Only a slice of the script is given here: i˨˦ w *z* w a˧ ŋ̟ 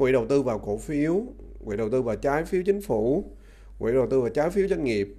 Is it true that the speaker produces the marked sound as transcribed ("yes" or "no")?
yes